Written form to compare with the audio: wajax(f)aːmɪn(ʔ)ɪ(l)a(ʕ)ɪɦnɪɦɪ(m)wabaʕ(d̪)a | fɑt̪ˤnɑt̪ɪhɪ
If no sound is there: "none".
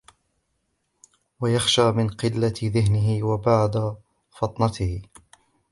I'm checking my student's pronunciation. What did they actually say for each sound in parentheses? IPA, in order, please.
ʃ, q, lː, ð, none, d̪

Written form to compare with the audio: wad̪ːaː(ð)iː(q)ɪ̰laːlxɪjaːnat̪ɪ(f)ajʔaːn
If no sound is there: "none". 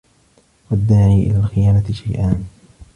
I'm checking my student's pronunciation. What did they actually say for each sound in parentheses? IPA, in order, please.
ʕ, ʔ, ʃ

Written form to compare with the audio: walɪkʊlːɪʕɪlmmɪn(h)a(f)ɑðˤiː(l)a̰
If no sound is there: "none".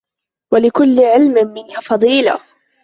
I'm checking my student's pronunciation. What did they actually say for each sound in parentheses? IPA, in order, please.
h, f, l

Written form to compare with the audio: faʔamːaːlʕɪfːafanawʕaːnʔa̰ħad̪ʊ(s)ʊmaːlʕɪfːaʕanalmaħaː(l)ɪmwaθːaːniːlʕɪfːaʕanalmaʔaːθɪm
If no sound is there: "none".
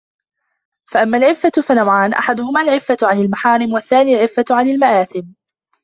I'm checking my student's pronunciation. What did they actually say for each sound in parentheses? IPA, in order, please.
h, ɾ

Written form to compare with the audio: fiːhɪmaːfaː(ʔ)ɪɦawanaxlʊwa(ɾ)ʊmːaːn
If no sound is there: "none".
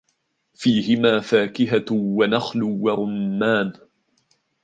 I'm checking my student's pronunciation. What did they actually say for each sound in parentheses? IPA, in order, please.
k, ɾ

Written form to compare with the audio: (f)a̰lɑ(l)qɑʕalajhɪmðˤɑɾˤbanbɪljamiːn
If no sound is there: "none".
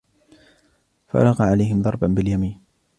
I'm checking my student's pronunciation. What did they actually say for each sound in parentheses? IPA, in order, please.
f, none

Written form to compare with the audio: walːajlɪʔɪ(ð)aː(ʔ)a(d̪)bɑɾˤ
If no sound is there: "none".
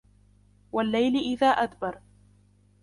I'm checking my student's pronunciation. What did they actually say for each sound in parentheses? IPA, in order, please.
ð, ʔ, d̪

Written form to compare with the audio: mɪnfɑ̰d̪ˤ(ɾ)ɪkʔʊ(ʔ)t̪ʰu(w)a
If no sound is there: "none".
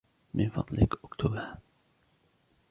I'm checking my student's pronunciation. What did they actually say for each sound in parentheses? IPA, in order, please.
l, k, b

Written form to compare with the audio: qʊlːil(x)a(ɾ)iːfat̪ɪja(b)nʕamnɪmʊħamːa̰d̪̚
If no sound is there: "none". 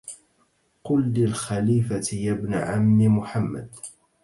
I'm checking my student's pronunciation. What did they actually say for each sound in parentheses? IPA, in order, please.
x, l, b

